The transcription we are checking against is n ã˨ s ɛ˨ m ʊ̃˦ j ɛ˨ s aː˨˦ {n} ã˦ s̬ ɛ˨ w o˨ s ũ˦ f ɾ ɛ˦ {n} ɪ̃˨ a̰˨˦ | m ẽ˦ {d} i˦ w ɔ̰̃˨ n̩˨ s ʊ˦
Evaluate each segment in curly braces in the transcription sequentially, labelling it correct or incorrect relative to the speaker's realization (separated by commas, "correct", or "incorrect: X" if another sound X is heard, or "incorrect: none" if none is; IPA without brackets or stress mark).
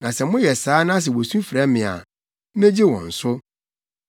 correct, incorrect: m, incorrect: d͡ʑ